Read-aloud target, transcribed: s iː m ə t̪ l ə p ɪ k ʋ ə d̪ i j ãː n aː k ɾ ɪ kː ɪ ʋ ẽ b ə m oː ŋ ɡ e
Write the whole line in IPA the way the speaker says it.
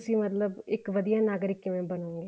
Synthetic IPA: s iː m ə t̪ l ə b ɪ k ʋ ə d̪ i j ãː n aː ɡ ɾ ɪ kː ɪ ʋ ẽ b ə n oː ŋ ɡ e